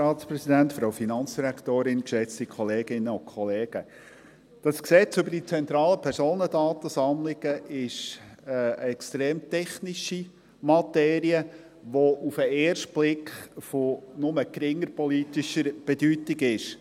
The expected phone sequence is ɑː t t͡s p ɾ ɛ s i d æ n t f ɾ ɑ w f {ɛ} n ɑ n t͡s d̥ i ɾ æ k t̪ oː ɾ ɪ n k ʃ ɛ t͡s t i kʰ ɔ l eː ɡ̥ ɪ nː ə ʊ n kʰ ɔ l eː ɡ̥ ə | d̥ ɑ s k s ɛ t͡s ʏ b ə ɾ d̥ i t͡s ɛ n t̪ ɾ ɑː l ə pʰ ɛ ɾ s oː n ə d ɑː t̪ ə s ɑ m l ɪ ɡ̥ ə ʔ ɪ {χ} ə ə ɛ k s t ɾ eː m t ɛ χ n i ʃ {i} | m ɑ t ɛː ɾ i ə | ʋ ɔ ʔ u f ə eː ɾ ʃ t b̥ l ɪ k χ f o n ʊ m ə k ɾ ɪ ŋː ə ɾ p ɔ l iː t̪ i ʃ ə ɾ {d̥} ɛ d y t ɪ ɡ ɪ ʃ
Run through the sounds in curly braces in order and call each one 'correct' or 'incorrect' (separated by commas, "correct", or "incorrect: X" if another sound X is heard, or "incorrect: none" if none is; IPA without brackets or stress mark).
incorrect: i, incorrect: ʃ, correct, incorrect: b̥